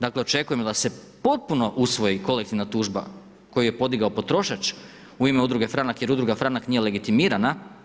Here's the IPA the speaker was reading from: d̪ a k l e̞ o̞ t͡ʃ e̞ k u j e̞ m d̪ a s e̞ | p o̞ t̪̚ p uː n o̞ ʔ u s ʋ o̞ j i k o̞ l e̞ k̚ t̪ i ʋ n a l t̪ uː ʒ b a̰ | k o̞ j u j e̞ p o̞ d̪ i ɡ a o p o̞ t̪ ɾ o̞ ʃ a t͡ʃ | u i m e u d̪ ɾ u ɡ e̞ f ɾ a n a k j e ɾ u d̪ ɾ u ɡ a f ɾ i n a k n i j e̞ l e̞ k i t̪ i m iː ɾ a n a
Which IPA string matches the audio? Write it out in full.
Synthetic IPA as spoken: d̪ a k l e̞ o̞ t͡ʃ e̞ k u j e̞ m d̪ a s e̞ | p o̞ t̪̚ p u n o̞ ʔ u s ʋ o̞ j i k o̞ l e̞ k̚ t̪ i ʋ n a t̪ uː ʒ b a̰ | k o̞ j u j e̞ p o̞ d̪ i ɡ a o p o̞ t̪ ɾ o̞ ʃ a t͡ʃ | u i m e u d̪ ɾ u ɡ e̞ f ɾ a n a k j e ɾ u d̪ ɾ u ɡ a f ɾ a n a k n i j e̞ l e̞ ɡ i t̪ i m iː ɾ a n a